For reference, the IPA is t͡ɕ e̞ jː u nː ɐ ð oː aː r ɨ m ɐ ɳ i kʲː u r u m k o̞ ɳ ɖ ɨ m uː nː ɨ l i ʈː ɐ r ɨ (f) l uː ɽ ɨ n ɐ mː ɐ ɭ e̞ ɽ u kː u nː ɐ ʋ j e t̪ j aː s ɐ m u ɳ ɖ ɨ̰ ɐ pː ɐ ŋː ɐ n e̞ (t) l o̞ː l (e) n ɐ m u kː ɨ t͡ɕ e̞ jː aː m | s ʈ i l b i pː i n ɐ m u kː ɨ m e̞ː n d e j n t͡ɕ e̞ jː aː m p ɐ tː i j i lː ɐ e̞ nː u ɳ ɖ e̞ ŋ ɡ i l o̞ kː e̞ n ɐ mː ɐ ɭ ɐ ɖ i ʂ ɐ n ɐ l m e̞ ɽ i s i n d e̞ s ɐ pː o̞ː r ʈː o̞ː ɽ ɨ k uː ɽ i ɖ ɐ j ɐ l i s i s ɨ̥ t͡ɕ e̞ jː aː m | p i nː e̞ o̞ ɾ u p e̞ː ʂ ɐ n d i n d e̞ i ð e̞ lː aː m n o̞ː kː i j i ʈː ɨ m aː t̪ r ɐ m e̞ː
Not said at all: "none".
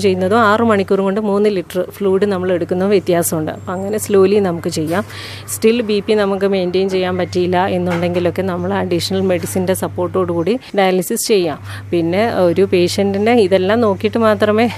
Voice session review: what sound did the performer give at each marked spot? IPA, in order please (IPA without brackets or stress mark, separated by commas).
f, s, i